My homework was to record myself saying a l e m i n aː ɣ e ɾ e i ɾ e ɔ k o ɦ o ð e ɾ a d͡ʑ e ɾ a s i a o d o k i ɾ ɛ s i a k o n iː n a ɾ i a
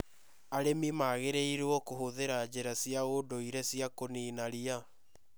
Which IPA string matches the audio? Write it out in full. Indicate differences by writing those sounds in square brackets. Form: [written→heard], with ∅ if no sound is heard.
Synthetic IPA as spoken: a [l→ɾ] e m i [n→m] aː ɣ e ɾ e i ɾ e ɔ k o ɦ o ð e ɾ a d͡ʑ e ɾ a s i a o d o [k→∅] i ɾ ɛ s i a k o n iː n a ɾ i a